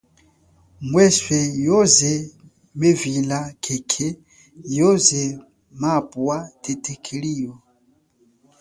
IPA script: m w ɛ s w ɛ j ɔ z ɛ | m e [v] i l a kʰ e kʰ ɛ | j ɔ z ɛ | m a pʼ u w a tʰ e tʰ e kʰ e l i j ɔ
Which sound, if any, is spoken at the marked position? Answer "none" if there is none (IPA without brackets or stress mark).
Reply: v